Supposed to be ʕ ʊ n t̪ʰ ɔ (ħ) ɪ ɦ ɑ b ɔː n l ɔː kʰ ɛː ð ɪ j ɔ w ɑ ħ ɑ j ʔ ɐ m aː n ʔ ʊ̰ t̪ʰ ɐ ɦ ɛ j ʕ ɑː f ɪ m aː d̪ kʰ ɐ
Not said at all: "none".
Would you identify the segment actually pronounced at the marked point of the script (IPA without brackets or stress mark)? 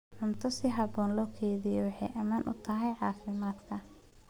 s